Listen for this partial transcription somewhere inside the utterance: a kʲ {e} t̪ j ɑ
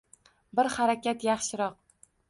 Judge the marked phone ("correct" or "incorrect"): incorrect